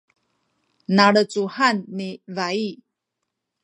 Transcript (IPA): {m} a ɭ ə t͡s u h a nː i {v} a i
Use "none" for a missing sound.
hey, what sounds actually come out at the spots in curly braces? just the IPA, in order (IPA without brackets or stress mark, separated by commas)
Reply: n, v